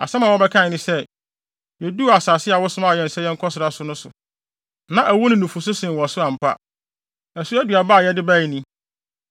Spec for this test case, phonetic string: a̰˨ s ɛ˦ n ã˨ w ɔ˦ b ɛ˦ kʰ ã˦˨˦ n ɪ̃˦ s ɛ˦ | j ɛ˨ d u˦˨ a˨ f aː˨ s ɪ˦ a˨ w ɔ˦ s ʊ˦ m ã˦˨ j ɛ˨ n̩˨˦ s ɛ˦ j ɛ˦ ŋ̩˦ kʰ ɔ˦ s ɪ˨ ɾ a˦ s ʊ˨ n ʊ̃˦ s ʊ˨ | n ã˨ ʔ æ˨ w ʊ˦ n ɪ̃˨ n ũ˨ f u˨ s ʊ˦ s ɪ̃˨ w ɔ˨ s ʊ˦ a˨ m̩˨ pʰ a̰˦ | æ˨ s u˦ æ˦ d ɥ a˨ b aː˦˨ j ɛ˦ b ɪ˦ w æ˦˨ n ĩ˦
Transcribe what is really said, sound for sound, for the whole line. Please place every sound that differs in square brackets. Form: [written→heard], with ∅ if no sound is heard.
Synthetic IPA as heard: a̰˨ s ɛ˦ [n→m] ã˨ w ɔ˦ b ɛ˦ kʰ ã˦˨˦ n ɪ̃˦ s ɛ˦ | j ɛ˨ d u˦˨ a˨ [f→s] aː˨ s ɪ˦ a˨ w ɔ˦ s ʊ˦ m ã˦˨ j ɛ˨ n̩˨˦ s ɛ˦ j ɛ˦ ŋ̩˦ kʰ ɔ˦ s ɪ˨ ɾ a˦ s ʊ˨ n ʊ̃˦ s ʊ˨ | n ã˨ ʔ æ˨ w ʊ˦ n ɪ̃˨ n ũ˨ f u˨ s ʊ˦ s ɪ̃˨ w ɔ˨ s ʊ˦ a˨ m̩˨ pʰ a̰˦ | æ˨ s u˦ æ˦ d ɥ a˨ b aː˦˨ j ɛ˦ [b→d] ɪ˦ [w→b] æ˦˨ n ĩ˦

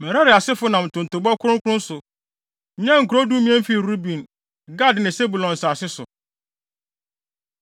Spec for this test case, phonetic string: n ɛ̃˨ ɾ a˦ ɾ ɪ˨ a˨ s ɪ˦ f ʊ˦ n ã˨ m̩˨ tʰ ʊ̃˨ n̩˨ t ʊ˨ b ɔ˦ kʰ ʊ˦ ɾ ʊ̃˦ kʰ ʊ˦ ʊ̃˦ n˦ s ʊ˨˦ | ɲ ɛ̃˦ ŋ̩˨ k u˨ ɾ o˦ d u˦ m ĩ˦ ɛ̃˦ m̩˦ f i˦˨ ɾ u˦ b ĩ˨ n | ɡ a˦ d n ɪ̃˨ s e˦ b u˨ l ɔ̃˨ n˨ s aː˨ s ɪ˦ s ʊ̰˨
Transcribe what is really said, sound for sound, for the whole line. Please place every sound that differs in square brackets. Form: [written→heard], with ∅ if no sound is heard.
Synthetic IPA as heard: [n→m] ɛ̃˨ ɾ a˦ ɾ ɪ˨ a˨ s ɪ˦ f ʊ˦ n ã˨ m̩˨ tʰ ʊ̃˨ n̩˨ t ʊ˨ b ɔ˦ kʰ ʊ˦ ɾ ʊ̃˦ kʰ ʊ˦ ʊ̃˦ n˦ s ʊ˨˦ | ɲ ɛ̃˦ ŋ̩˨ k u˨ ɾ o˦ d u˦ m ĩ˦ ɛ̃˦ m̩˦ f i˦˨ ɾ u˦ b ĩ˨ n | ɡ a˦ d n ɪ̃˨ s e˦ b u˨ l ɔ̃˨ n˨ s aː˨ s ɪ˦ s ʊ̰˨

